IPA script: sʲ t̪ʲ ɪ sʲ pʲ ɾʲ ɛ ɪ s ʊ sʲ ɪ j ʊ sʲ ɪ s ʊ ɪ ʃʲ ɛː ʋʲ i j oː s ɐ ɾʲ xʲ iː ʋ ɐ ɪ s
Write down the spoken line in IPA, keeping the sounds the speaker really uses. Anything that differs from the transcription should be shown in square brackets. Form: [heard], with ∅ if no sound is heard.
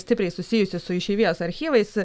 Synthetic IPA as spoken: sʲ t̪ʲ ɪ [∅] pʲ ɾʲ ɛ ɪ s ʊ sʲ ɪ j ʊ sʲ ɪ s ʊ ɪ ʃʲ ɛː ʋʲ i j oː s ɐ ɾʲ xʲ iː ʋ ɐ ɪ s